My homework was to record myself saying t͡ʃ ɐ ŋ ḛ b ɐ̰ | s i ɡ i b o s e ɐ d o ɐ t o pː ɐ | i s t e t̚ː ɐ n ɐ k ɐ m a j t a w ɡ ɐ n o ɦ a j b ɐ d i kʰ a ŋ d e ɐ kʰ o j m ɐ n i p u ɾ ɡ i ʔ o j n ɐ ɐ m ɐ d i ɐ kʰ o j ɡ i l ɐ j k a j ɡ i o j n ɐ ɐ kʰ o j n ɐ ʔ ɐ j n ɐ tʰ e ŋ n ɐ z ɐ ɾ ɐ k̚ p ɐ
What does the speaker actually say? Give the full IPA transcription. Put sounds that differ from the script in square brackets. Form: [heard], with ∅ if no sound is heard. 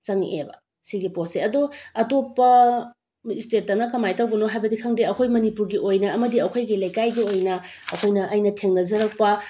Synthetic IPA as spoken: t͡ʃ ɐ ŋ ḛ b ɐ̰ | s i ɡ i [p] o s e ɐ d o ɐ t o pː ɐ | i s t e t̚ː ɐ n ɐ k ɐ m a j t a w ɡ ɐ n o ɦ a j b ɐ d i kʰ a ŋ d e ɐ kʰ o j m ɐ n i p u ɾ ɡ i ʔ o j n ɐ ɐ m ɐ d i ɐ kʰ o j ɡ i l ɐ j k a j ɡ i o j n ɐ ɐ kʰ o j n ɐ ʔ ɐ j n ɐ tʰ e ŋ n ɐ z ɐ ɾ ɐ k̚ p ɐ

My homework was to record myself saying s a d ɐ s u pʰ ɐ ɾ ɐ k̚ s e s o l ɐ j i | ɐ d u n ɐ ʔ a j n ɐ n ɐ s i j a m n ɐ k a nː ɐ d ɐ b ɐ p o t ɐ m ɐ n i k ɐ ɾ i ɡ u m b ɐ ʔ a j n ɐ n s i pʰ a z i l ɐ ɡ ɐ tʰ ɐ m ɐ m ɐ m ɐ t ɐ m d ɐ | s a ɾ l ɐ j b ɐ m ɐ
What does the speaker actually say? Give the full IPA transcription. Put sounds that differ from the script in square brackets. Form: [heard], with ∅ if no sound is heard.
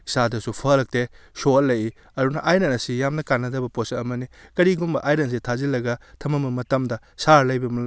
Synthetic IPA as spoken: s a d ɐ s u pʰ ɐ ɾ ɐ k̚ [t] e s o l ɐ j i | ɐ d u n ɐ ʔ a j n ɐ n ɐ s i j a m n ɐ k a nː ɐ d ɐ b ɐ p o [s] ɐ m ɐ n i k ɐ ɾ i ɡ u m b ɐ ʔ a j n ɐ n s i [tʰ] a z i l ɐ ɡ ɐ tʰ ɐ m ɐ m ɐ m ɐ t ɐ m d ɐ | s a ɾ l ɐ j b ɐ m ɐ

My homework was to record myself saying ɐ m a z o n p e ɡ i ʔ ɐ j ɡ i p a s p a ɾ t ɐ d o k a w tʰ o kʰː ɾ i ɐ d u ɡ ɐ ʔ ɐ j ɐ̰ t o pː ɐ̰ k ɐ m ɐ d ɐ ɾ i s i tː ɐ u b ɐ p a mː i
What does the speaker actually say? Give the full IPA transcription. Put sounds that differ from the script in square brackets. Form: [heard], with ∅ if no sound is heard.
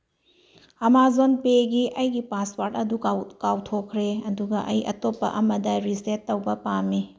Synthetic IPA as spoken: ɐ m a z o n p e ɡ i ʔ ɐ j ɡ i p a s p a ɾ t ɐ d [u] k a w tʰ o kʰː ɾ [e] ɐ d u ɡ ɐ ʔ ɐ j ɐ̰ t o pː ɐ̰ [ʔ] ɐ m ɐ d ɐ ɾ i s [e] tː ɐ [w] b ɐ p a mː i

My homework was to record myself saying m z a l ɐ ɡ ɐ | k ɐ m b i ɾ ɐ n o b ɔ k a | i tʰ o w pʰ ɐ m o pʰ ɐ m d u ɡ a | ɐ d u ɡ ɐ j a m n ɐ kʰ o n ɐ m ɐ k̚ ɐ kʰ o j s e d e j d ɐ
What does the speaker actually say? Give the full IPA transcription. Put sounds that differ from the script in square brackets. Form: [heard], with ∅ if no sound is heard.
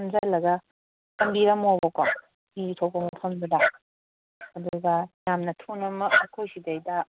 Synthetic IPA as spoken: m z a l ɐ ɡ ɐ | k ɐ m b i ɾ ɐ [m] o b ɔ k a | i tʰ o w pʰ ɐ m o pʰ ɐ m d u [d] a | ɐ d u ɡ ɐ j a m n ɐ [tʰ] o n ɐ m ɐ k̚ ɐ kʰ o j s [i] d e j d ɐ

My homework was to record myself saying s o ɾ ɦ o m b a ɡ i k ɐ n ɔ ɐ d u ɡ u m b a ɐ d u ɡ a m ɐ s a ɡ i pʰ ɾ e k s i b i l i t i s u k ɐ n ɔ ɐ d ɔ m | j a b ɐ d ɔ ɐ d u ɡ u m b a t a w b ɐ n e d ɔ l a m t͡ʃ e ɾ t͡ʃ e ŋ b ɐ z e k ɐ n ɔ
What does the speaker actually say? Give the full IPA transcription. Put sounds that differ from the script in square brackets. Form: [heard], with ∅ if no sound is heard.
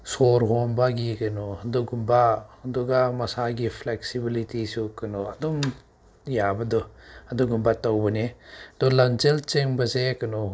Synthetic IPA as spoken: s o ɾ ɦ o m b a ɡ i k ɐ n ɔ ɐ d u ɡ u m b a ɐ d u ɡ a m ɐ s a ɡ i pʰ [l] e k s i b i l i t i s u k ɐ n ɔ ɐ d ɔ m | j a b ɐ d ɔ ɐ d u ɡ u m b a t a w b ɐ n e d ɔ l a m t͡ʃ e [l] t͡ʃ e ŋ b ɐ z e k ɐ n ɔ

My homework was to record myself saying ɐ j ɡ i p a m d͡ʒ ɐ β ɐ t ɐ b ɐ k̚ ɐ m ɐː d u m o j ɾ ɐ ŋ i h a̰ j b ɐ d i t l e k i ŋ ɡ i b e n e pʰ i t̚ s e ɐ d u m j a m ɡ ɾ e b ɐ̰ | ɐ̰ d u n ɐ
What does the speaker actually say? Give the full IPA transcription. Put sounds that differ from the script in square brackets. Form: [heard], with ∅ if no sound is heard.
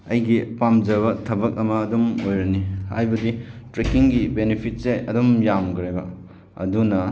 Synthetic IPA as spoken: ɐ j ɡ i p a m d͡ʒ ɐ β ɐ [tʰ] ɐ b ɐ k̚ ɐ m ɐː d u m o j ɾ ɐ [n] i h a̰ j b ɐ d i t [ɾ] e k i ŋ ɡ i b e n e pʰ i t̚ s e ɐ d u m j a m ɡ ɾ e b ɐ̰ | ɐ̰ d u n ɐ

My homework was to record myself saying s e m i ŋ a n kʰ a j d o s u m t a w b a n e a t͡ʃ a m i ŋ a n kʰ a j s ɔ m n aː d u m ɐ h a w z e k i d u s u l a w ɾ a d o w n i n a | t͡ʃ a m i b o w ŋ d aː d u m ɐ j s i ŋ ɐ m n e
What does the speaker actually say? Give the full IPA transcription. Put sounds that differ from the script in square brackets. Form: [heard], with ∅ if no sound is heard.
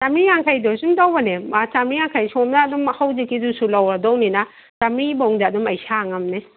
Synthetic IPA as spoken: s [a] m i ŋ a [ŋ] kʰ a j d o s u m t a w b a n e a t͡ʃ a m i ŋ a [ŋ] kʰ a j s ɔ m n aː d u m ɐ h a w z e k i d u s u l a w ɾ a d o w n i n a | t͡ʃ a m i b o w ŋ d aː d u m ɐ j s [a] ŋ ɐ m n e

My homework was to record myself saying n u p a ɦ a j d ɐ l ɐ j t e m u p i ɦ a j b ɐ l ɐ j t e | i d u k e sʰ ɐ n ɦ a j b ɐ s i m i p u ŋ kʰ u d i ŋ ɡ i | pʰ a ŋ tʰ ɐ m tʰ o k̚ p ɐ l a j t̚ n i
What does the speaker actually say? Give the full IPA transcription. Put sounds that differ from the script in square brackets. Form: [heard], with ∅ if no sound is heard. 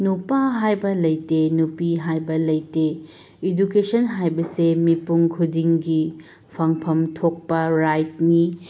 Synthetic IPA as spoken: n u p a ɦ a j [b] ɐ l ɐ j t e [n] u p i ɦ a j b ɐ l ɐ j t e | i d u k e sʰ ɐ n ɦ a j b ɐ s [e] m i p u ŋ kʰ u d i ŋ ɡ i | pʰ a ŋ [pʰ] ɐ m tʰ o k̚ p ɐ [ɾ] a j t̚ n i

